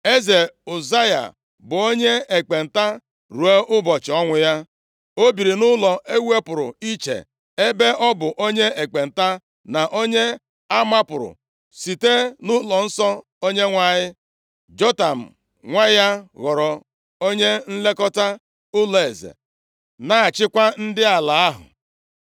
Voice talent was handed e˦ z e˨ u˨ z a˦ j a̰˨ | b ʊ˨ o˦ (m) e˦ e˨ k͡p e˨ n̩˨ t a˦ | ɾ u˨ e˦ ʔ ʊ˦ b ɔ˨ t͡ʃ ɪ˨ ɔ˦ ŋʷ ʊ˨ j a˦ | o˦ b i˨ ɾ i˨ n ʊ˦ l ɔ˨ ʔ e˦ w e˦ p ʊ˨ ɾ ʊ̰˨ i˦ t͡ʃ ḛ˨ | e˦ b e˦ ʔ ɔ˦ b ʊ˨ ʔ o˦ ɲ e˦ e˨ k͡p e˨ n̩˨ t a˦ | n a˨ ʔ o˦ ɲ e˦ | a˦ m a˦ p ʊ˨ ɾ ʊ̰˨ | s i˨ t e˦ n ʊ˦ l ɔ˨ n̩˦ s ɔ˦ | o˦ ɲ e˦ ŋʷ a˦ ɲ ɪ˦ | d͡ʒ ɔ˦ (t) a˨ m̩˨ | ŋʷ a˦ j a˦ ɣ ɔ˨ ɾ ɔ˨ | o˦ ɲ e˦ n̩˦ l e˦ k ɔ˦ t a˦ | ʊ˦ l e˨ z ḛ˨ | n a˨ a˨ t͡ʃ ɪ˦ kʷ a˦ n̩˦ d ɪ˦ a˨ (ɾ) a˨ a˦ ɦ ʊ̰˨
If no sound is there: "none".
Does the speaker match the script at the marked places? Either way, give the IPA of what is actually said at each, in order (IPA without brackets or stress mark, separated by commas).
ɲ, t, l